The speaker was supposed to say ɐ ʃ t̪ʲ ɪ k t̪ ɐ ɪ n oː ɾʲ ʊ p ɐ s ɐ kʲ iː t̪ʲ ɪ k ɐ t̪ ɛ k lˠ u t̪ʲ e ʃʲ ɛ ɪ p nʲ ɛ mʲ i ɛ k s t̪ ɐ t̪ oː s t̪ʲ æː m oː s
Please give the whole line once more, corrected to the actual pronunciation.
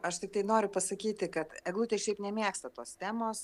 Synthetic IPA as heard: ɐ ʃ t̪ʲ ɪ k t̪ ɐ ɪ n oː ɾʲ ʊ p ɐ s ɐ kʲ iː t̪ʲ ɪ k ɐ t̪ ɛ ɡ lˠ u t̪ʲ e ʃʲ ɛ ɪ p nʲ ɛ mʲ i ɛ k s t̪ ɐ t̪ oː s t̪ʲ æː m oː s

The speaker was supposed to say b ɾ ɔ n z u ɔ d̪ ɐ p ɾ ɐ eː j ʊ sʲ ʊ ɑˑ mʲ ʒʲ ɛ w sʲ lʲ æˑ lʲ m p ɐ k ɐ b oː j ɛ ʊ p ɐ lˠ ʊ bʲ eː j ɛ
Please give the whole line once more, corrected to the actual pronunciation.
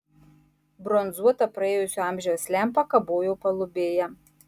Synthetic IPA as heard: b ɾ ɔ n z u ɔ t̪ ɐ p ɾ ɐ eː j ʊ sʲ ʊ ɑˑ mʲ ʒʲ ɛ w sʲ lʲ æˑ m p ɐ k ɐ b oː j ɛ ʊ p ɐ lˠ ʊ bʲ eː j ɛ

